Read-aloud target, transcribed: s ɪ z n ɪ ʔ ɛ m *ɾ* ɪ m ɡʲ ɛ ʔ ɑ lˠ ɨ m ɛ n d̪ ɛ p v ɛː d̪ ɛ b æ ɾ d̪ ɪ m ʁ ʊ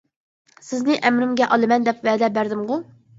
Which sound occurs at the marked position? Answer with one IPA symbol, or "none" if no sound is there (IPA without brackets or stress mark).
ɾ